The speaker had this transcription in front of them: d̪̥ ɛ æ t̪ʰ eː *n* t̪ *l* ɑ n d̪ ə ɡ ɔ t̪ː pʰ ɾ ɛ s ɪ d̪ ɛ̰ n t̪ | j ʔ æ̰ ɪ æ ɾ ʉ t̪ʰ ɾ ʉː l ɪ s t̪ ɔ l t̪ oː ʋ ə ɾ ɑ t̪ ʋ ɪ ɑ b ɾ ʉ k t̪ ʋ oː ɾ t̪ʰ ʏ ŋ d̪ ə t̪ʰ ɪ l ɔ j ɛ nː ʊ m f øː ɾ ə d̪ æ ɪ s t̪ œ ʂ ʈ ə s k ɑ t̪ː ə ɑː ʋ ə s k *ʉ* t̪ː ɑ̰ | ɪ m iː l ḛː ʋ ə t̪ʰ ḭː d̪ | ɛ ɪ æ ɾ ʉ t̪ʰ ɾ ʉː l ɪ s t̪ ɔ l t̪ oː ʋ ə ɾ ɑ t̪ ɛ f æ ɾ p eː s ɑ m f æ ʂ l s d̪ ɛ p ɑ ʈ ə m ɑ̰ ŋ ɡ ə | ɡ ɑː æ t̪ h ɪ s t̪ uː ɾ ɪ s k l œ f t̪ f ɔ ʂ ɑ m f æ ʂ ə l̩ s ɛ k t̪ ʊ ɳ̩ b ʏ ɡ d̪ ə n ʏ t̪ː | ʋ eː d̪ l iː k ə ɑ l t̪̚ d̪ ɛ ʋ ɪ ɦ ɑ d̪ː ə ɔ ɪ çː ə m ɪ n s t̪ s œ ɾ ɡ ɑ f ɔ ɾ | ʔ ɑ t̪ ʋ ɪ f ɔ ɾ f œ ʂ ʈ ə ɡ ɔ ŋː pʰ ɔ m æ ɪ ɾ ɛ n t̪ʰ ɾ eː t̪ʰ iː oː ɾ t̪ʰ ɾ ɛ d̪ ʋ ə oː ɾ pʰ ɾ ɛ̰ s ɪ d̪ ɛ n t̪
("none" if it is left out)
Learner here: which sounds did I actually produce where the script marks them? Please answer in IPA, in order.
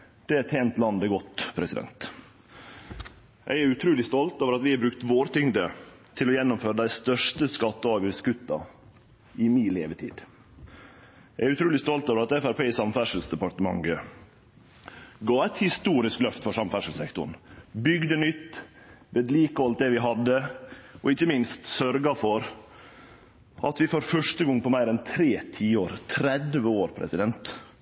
n, l, ʉ

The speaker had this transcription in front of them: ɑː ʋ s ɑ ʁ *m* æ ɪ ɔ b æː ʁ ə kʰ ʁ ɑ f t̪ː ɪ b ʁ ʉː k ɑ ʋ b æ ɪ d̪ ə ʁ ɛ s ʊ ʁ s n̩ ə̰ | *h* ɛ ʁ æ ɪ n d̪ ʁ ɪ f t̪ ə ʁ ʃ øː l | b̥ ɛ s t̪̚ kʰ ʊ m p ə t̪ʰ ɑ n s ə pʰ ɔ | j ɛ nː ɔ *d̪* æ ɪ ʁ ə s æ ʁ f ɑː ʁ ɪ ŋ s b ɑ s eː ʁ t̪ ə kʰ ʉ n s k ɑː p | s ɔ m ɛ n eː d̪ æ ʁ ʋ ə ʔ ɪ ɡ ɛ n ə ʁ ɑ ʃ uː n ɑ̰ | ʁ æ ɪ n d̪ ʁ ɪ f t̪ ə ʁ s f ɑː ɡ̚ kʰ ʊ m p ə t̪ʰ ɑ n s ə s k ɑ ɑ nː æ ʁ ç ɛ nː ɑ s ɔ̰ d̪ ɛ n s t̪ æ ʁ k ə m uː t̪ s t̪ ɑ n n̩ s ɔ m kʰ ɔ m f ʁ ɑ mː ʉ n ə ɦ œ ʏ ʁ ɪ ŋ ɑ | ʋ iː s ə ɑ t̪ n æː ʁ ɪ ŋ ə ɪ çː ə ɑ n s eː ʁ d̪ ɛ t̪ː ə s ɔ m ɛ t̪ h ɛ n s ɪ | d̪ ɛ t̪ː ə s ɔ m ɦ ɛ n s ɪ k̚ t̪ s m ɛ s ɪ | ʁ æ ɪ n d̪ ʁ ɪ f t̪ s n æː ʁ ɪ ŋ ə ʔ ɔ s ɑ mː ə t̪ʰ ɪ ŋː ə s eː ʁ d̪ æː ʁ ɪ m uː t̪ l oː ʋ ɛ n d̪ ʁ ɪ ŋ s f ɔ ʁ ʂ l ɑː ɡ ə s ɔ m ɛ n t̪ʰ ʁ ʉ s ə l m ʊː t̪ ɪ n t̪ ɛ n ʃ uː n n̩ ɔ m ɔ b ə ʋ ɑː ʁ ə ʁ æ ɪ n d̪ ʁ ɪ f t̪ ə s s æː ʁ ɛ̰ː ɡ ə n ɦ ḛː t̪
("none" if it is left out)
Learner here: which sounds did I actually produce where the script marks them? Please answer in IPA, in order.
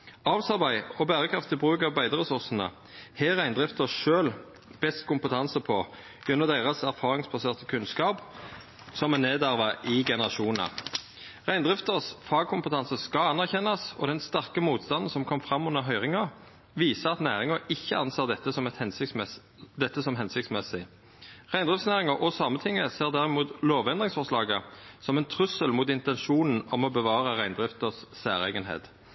b, h, d̪

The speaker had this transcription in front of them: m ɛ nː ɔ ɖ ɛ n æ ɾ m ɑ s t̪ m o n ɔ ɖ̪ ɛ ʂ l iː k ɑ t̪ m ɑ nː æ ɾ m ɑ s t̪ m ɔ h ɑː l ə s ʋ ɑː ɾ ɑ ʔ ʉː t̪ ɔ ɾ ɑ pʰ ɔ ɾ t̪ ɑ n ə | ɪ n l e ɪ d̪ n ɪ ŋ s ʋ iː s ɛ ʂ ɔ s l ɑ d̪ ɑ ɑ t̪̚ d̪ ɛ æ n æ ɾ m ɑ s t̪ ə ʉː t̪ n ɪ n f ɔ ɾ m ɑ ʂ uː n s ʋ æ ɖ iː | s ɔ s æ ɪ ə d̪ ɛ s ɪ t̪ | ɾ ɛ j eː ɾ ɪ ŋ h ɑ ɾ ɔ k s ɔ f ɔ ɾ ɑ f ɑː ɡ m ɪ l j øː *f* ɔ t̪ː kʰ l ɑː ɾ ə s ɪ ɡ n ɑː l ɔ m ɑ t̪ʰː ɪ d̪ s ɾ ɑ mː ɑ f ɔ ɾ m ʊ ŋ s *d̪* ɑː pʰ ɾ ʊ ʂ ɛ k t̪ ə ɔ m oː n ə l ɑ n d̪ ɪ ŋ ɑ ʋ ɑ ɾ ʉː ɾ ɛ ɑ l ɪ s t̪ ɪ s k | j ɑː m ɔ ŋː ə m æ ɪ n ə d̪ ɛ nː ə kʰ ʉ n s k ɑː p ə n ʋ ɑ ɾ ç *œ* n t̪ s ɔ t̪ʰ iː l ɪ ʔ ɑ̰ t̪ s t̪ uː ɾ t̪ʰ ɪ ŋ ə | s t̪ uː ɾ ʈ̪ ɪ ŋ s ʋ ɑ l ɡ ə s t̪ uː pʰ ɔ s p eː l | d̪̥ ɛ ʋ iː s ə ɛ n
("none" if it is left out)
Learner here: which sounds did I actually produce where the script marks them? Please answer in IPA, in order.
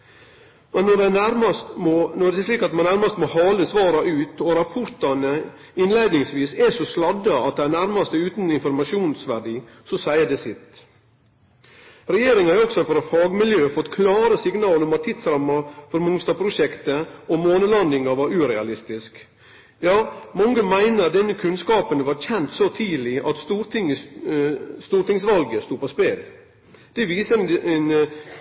f, t̪, ɛ

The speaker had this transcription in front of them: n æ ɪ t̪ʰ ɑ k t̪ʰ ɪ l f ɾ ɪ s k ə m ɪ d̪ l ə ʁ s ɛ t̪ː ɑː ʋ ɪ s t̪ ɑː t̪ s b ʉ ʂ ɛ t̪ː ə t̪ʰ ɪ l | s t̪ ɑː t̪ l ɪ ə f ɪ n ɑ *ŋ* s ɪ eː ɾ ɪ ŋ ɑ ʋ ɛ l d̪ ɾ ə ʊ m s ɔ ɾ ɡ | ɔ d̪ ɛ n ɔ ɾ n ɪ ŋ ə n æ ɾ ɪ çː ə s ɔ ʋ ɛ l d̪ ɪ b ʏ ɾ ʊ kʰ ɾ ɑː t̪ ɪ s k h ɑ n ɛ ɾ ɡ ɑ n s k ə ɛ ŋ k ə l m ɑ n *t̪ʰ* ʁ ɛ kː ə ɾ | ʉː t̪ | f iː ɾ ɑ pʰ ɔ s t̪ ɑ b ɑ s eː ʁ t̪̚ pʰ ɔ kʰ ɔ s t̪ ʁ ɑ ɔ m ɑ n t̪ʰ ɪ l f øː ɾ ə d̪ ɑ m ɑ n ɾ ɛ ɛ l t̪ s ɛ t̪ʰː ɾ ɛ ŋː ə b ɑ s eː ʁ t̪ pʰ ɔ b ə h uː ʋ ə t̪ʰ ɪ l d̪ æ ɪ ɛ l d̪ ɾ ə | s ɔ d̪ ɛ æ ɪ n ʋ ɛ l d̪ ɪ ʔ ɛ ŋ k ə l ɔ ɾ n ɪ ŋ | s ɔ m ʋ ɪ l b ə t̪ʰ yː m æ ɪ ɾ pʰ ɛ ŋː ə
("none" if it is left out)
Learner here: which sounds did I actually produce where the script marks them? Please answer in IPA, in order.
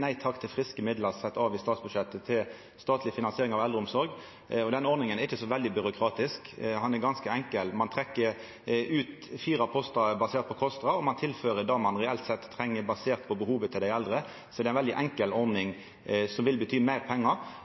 n, t̪ʰ

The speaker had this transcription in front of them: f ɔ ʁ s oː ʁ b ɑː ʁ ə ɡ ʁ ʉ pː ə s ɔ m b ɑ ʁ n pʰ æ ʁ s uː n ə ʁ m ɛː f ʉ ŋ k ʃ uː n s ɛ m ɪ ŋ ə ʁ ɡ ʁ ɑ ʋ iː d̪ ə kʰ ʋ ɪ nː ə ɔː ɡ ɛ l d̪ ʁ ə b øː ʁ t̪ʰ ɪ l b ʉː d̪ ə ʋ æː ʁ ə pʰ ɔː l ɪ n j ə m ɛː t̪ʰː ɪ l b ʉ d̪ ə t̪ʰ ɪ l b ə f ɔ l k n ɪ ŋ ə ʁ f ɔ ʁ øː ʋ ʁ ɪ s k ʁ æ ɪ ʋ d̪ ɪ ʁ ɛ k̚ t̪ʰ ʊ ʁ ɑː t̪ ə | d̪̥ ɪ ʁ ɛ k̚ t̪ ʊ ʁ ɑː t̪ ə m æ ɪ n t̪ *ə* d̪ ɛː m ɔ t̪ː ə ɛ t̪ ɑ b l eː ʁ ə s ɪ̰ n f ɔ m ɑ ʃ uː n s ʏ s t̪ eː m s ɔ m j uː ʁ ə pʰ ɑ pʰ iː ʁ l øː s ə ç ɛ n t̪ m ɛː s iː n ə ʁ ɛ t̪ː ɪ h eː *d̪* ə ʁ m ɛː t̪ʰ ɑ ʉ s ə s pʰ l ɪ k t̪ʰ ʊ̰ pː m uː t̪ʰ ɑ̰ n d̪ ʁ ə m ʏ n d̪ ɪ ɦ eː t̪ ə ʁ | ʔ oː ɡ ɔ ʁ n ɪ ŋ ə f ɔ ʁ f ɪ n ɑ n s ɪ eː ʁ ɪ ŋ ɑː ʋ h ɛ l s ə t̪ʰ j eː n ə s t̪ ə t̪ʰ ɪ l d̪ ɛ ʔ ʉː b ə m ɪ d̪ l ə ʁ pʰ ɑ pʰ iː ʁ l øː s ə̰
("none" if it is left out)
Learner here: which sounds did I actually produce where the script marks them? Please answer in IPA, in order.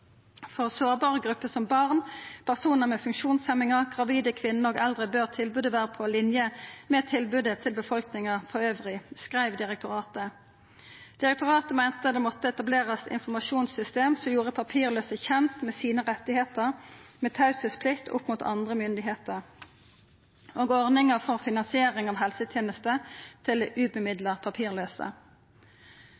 ə, t̪

